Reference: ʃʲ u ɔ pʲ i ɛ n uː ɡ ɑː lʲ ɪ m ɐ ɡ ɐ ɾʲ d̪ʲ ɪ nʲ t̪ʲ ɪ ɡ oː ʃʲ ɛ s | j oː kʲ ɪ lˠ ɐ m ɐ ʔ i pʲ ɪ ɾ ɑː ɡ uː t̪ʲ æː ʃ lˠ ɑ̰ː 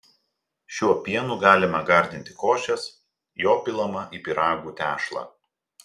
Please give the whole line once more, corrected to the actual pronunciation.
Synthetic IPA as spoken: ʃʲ u ɔ pʲ i ɛ n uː ɡ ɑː lʲ ɪ m ɐ ɡ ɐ ɾʲ d̪ʲ ɪ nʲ t̪ʲ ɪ k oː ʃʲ ɛ s | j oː pʲ ɪ lˠ ɐ m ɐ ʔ i pʲ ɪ ɾ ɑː ɡ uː t̪ʲ æː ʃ lˠ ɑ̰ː

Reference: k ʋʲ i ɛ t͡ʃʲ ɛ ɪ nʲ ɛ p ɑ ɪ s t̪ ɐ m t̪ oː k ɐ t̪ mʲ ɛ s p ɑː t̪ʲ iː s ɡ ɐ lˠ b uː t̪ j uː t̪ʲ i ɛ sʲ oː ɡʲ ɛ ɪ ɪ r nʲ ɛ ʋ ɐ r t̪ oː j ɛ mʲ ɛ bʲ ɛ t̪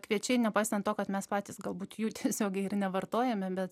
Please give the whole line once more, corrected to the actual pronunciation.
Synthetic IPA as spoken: k ʋʲ i ɛ t͡ʃʲ ɛ ɪ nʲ ɛ p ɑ ɪ s t̪ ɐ n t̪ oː k ɐ t̪ mʲ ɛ s p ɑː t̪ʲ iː s ɡ ɐ lˠ b uː t̪ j uː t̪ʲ i ɛ sʲ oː ɡʲ ɛ ɪ ɪ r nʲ ɛ ʋ ɐ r t̪ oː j ɛ mʲ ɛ bʲ ɛ t̪

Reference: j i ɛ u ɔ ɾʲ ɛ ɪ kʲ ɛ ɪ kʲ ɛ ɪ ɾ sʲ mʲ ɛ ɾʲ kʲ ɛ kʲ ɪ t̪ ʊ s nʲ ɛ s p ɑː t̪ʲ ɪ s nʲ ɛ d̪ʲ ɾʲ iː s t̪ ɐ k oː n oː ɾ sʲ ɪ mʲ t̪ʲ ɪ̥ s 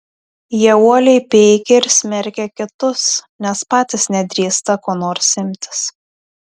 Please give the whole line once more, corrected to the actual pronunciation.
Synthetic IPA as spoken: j i ɛ u ɔ lʲ ɛ ɪ pʲ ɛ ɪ kʲ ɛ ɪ ɾ sʲ mʲ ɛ ɾʲ kʲ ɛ kʲ ɪ t̪ ʊ s nʲ ɛ s p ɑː t̪ʲ ɪ s nʲ ɛ d̪ʲ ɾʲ iː s t̪ ɐ k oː n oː ɾ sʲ ɪ mʲ t̪ʲ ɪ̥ s

